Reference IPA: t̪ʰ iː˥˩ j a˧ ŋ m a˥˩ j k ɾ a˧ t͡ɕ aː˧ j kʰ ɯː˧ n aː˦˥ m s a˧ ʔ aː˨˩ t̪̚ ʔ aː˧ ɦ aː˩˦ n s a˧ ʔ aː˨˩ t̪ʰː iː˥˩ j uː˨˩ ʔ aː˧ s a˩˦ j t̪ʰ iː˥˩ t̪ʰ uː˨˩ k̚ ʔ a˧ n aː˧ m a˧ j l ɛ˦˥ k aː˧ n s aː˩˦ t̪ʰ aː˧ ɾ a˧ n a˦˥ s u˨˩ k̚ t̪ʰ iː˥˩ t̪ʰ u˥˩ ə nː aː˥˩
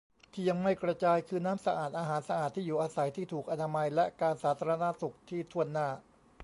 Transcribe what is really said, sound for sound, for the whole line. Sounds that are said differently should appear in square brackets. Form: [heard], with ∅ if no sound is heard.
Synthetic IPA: t̪ʰ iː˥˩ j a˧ ŋ m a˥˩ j k ɾ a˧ t͡ɕ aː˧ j kʰ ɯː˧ n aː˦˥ m s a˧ ʔ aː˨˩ t̪̚ ʔ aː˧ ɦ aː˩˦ n s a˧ ʔ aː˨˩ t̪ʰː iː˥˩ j uː˨˩ ʔ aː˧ s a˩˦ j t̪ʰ iː˥˩ t̪ʰ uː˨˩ k̚ ʔ a˧ n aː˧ m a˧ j l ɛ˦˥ k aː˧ n s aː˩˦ t̪ʰ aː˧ ɾ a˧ n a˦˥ s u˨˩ k̚ t̪ʰ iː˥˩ t̪ʰ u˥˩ ə nː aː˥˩